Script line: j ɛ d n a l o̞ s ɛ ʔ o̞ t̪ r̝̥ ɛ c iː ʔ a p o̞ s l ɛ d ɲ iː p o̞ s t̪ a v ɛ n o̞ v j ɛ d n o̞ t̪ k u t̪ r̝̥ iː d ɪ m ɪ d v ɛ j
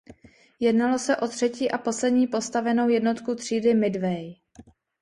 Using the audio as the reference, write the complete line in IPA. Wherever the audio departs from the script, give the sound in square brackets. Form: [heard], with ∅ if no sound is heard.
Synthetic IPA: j ɛ d n a l o̞ s ɛ ʔ o̞ t̪ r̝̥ ɛ c iː ʔ a p o̞ s l ɛ d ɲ iː p o̞ s t̪ a v ɛ n o̞ [w] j ɛ d n o̞ t̪ k u t̪ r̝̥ iː d ɪ m ɪ d v ɛ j